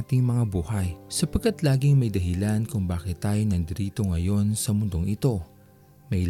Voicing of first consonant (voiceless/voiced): voiceless